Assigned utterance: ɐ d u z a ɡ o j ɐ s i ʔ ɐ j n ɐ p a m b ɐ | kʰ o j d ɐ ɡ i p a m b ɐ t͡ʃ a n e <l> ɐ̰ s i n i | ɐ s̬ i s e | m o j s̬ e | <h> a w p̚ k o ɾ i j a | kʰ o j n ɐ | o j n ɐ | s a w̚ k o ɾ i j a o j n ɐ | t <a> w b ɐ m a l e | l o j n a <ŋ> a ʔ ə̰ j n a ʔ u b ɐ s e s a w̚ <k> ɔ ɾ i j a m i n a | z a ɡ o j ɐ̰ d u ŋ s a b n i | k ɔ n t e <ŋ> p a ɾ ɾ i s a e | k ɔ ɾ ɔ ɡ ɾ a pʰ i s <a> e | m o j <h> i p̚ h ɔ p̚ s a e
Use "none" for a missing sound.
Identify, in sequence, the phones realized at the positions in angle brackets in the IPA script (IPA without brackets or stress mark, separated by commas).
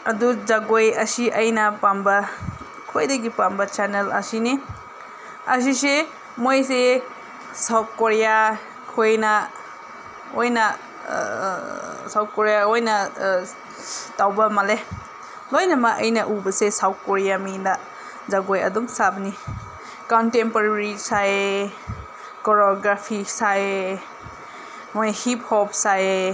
l, s, a, m, k, m, a, h